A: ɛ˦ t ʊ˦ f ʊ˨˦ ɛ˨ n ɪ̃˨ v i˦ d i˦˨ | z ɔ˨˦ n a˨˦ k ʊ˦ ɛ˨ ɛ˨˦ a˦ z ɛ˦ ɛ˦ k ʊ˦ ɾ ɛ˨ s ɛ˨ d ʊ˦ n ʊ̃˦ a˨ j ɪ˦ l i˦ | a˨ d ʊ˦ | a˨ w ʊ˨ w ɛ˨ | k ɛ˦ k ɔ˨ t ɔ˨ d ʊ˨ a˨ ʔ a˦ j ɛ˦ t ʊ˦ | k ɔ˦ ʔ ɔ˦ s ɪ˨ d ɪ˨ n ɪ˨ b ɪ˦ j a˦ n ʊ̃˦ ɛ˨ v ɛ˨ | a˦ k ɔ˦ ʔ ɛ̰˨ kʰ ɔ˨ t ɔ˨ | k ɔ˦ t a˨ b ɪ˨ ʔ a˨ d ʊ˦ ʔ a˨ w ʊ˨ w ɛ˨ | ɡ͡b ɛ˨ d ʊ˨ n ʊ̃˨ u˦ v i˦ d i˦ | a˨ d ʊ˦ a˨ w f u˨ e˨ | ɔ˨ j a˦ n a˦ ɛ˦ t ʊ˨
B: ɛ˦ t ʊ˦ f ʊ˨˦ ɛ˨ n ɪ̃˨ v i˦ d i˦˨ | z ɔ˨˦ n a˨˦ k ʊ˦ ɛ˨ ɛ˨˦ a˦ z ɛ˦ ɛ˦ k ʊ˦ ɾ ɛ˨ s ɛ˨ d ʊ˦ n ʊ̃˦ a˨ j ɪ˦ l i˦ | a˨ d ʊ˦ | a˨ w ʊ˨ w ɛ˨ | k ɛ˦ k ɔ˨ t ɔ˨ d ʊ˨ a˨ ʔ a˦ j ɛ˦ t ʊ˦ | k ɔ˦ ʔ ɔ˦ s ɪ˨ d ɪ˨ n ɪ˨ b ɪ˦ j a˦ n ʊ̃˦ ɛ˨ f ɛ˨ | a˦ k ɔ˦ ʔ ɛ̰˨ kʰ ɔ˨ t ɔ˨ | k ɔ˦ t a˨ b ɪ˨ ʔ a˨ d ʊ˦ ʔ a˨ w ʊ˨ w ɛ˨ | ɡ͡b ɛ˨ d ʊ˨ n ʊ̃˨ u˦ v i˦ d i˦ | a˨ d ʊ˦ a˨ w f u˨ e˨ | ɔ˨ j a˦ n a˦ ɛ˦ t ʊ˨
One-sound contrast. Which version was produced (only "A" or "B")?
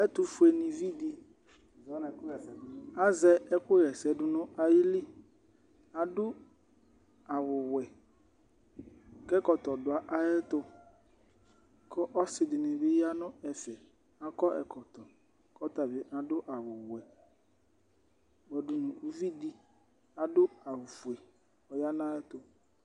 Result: B